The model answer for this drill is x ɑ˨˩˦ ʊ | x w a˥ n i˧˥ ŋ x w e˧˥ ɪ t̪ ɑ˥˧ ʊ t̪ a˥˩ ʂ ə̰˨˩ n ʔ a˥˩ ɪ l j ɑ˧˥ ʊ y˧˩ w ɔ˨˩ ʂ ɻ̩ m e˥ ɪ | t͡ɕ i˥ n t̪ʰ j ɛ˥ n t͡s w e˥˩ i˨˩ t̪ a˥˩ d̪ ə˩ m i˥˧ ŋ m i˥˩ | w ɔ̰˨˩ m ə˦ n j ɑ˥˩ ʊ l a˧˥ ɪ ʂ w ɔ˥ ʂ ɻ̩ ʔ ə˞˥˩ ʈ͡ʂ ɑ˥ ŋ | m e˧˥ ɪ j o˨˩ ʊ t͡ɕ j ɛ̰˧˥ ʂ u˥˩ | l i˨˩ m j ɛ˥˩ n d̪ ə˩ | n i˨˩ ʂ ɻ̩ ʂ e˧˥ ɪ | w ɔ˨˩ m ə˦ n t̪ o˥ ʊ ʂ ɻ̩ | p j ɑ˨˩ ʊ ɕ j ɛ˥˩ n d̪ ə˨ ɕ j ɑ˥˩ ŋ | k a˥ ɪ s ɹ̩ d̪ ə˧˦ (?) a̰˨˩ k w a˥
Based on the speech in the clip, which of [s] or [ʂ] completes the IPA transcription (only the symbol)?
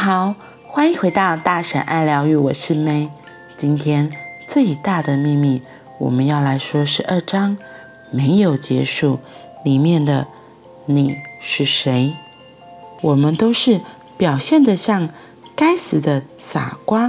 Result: s